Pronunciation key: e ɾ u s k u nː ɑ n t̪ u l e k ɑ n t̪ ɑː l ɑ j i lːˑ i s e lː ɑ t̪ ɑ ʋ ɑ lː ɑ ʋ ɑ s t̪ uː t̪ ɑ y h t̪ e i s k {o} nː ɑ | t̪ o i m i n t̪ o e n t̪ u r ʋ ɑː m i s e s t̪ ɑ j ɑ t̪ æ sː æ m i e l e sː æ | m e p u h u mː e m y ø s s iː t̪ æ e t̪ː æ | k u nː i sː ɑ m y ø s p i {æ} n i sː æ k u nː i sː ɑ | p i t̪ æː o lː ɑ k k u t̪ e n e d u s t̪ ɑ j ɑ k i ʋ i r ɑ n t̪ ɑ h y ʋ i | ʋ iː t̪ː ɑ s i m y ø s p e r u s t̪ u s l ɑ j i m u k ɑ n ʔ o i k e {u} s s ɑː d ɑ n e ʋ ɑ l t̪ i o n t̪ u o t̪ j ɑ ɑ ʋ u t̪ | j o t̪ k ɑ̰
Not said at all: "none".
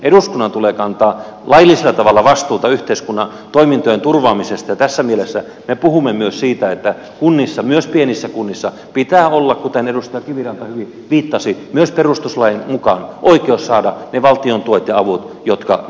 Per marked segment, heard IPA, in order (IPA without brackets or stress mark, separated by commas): u, e, o